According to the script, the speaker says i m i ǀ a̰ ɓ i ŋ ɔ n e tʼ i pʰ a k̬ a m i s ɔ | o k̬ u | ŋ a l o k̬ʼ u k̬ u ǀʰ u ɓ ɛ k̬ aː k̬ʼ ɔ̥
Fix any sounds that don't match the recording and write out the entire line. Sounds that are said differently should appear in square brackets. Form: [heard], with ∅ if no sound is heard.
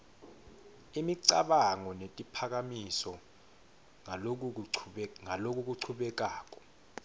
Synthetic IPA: i m i ǀ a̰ ɓ [a] ŋ ɔ n e tʼ i pʰ a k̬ a m i s ɔ | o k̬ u | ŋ a l o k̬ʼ u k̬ u ǀʰ u ɓ ɛ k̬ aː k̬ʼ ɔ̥

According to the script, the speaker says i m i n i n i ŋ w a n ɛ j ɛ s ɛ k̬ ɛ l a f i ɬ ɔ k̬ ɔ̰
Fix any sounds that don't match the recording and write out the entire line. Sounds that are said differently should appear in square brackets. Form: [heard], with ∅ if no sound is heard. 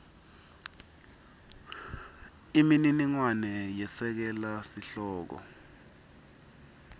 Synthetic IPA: i m i n i n i ŋ w a n ɛ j ɛ s ɛ k̬ ɛ l a [s] i ɬ [ɔː] k̬ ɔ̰

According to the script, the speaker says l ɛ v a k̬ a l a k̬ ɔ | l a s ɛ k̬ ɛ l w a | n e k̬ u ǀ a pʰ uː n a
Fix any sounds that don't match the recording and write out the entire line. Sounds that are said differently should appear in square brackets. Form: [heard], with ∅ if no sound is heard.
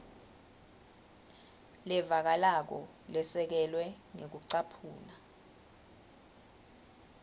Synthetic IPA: l ɛ v a k̬ a l a k̬ ɔ | l [ɛ] s ɛ k̬ ɛ l w [ɛ] | [ŋ] e k̬ u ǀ a pʰ uː n a

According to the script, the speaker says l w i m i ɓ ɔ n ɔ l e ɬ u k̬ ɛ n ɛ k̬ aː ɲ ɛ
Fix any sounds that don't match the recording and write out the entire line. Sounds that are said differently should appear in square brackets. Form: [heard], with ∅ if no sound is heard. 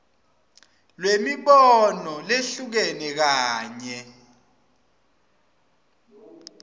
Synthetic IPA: l w [e] m i ɓ ɔ n ɔ l e ɬ u k̬ ɛ n ɛ k̬ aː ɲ ɛ

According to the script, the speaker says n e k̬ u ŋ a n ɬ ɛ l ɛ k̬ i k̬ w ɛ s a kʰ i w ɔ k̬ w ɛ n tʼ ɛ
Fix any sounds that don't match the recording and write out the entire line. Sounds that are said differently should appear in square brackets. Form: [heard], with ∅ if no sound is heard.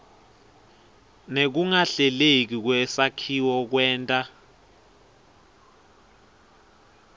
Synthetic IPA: n e k̬ u ŋ a [∅] ɬ ɛ l [e] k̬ i k̬ w ɛ s a kʰ i w ɔ k̬ w [ɛː] n tʼ [a]

